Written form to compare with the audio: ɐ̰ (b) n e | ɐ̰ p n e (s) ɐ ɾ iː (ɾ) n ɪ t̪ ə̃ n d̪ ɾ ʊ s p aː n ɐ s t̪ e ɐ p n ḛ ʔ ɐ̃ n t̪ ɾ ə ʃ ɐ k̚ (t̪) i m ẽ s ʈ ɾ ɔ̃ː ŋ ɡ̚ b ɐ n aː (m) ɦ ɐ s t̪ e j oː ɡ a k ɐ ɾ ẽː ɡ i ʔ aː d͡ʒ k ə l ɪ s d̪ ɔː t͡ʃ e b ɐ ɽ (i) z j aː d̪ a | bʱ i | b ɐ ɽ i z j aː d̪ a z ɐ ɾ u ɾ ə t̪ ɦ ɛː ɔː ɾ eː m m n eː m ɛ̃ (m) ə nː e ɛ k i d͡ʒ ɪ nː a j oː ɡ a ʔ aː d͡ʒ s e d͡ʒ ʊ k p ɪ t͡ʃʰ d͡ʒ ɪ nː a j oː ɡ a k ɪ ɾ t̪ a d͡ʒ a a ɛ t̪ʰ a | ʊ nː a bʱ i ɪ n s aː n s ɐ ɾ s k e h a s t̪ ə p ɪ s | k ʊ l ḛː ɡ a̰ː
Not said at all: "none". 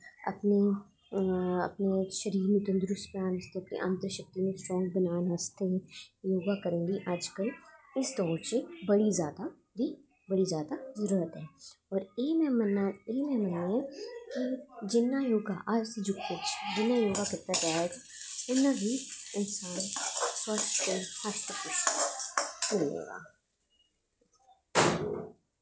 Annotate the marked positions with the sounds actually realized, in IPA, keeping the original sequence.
p, ʃ, ɾ, t̪, n, i, m

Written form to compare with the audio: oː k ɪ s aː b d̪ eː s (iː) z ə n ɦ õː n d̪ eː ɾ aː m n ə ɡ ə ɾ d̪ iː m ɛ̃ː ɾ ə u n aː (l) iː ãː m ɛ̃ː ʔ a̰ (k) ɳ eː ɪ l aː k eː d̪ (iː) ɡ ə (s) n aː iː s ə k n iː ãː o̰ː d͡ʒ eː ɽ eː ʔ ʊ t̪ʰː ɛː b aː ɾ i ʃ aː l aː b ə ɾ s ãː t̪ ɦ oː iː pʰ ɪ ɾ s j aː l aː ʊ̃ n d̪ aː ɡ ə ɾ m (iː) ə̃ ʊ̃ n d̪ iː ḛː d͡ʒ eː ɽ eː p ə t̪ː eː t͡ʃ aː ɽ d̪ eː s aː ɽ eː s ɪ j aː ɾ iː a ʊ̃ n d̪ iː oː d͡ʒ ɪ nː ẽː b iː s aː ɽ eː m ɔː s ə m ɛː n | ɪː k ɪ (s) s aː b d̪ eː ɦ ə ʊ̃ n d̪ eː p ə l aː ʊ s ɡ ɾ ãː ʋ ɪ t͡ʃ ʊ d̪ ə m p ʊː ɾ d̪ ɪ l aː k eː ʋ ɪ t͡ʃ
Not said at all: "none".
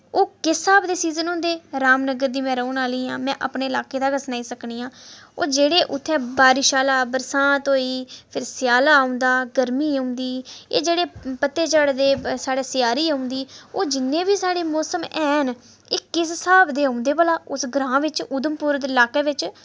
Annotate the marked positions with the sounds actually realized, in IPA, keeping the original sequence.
iː, l, p, aː, s, iː, s

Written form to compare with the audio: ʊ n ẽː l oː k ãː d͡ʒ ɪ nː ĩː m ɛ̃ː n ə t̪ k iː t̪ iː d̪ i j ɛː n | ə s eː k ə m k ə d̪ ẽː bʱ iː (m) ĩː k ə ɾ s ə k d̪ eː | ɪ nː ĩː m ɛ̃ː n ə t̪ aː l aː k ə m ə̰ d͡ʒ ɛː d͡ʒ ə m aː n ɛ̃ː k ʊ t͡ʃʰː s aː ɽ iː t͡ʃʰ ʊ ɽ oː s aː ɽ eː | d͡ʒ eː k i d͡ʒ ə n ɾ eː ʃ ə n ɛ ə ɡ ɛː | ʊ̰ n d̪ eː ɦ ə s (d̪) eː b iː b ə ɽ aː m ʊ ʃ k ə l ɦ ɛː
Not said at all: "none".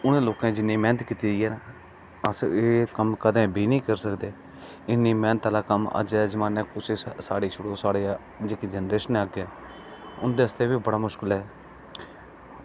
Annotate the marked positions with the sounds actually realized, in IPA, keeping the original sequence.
n, t̪

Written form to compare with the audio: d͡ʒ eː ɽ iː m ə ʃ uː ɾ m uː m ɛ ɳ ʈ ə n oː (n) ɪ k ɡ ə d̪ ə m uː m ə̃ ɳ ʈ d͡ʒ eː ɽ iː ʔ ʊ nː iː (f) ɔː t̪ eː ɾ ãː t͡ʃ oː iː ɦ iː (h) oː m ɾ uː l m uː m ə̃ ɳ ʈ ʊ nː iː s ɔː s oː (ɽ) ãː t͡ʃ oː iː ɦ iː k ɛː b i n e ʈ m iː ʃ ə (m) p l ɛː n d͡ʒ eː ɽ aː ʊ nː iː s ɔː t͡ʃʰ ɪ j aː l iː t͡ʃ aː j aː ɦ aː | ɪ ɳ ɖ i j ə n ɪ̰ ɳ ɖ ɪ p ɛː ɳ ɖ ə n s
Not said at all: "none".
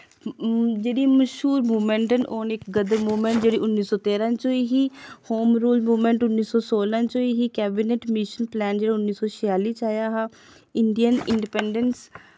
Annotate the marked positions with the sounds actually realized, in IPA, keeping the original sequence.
n, s, h, l, n

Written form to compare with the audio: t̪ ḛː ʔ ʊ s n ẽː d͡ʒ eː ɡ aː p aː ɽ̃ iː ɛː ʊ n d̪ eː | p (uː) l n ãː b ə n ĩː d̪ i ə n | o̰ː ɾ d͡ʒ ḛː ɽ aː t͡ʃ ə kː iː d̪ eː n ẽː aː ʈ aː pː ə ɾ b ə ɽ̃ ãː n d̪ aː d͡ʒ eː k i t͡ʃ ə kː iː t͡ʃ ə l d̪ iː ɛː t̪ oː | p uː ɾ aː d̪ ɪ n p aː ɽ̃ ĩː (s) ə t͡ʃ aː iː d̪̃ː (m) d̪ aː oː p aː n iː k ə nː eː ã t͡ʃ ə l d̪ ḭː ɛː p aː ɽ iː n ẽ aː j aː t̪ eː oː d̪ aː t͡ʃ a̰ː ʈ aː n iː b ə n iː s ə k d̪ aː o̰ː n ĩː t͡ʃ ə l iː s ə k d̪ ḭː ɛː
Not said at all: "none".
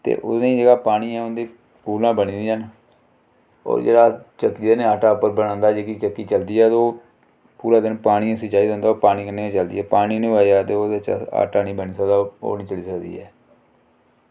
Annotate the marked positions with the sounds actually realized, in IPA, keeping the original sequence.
uː, s, n

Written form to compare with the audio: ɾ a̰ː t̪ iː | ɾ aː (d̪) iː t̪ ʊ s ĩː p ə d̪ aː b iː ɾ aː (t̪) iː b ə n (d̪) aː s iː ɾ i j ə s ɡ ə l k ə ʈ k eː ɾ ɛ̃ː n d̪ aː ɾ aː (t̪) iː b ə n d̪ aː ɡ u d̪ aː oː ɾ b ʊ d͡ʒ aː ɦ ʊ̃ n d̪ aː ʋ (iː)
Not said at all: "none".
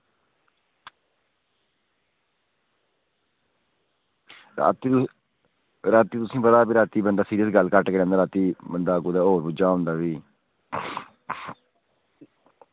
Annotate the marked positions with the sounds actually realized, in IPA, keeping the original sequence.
t̪, t̪, d̪, t̪, iː

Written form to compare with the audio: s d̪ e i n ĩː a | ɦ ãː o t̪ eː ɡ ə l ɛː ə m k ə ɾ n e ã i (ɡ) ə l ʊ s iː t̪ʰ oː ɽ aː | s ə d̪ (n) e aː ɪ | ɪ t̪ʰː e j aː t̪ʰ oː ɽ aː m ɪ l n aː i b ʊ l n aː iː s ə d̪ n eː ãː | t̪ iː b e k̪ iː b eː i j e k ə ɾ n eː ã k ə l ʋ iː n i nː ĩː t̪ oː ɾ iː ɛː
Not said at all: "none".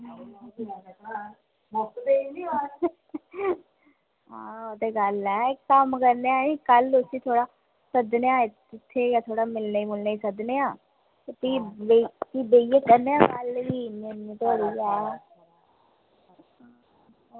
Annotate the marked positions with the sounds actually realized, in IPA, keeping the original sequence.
k, n

